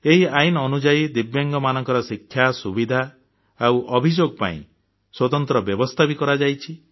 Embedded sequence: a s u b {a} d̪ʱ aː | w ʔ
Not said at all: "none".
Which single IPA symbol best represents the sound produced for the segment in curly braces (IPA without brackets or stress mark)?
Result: i